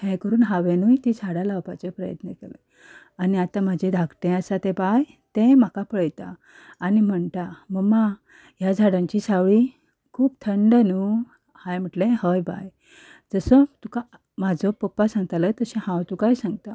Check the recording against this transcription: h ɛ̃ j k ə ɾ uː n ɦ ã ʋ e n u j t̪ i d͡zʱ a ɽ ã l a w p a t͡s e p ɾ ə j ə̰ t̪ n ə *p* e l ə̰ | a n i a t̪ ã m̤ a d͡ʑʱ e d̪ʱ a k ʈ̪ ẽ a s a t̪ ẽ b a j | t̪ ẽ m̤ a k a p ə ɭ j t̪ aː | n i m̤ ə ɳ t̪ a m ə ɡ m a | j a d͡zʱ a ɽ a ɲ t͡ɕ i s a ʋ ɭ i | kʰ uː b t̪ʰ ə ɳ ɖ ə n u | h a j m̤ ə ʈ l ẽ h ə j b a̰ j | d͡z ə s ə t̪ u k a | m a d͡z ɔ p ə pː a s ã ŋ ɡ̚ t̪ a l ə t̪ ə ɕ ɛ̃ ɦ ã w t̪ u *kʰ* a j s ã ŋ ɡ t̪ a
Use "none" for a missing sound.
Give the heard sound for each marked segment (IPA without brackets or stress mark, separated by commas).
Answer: k, k